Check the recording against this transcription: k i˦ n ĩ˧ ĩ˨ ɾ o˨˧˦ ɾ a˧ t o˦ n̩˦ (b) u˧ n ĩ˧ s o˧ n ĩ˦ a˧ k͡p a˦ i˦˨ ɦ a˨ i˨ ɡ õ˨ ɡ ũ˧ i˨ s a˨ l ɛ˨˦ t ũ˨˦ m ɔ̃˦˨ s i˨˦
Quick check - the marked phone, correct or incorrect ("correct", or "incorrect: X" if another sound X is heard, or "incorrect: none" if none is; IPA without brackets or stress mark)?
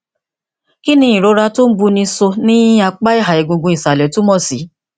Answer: correct